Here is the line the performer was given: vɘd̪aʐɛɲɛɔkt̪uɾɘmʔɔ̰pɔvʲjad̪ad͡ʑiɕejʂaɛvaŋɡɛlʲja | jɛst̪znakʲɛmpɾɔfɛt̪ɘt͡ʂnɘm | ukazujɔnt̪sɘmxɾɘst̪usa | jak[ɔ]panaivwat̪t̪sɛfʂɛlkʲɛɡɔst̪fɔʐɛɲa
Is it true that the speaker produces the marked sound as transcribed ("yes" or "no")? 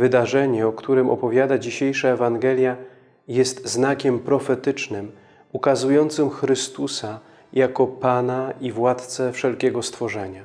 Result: yes